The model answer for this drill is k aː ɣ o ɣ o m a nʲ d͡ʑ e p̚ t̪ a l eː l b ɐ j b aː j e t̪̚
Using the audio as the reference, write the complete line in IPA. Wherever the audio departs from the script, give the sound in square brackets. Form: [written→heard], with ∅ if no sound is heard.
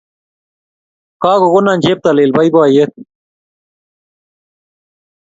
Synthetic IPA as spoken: k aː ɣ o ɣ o [m→n] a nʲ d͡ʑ e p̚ t̪ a l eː l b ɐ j b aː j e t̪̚